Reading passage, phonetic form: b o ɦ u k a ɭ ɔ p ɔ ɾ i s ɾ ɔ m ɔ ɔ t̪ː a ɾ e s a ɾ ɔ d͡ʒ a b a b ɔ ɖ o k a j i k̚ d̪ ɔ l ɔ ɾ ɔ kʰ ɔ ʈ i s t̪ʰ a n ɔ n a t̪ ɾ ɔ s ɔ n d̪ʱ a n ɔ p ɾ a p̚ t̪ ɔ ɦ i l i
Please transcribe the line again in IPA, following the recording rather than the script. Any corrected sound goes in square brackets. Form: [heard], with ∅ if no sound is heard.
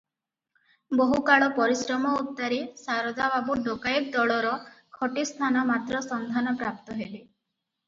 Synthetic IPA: b o ɦ u k a ɭ ɔ p ɔ ɾ i s ɾ ɔ m ɔ [u] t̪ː a ɾ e s a ɾ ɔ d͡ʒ a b a b [u] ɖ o k a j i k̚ d̪ ɔ [ɭ] ɔ ɾ ɔ kʰ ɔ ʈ i s t̪ʰ a n ɔ [m] a t̪ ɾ ɔ s ɔ n d̪ʱ a n ɔ p ɾ a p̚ t̪ ɔ ɦ [e] l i